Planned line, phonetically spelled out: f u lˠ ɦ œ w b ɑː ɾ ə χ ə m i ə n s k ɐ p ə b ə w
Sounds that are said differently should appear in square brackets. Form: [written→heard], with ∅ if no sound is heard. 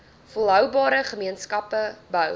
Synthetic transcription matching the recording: f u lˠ ɦ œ w b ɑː ɾ ə χ ə m i ə n s k ɐ p ə b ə w